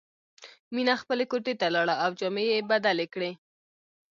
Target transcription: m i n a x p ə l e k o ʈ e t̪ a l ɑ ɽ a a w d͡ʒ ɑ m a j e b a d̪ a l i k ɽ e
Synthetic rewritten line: m i n a x p ə l e k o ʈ e t̪ a l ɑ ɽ a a w d͡ʒ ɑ m e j e b a d̪ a l e k ɽ e